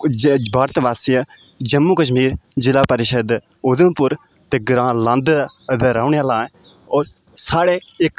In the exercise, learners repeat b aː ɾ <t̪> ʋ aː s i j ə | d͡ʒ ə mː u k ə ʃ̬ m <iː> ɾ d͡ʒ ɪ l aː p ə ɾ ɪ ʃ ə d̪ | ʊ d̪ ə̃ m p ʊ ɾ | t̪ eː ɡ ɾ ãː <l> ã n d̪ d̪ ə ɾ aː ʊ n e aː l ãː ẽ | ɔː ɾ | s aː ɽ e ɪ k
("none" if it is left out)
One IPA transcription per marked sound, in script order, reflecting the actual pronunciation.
t̪, iː, l

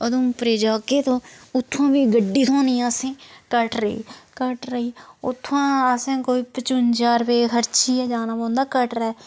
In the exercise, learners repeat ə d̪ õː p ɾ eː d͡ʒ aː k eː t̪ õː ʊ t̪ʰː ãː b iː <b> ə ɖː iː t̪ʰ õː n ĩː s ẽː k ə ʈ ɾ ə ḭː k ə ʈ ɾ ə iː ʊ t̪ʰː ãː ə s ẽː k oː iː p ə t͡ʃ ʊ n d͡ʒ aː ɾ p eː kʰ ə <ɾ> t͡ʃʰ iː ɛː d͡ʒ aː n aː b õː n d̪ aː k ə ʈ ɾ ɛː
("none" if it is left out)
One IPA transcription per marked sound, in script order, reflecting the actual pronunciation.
ɡ, ɾ

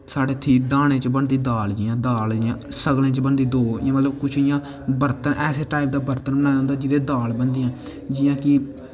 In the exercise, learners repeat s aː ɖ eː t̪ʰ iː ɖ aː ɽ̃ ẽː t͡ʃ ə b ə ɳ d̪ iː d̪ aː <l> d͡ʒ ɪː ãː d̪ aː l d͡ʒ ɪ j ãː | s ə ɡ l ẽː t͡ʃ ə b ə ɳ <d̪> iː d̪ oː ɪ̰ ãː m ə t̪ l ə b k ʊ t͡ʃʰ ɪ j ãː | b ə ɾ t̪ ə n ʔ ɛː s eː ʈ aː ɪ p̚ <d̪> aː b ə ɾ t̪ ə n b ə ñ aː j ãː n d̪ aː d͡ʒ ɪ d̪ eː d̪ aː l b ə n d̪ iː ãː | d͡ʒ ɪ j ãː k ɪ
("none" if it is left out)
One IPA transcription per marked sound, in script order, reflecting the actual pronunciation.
l, d̪, d̪

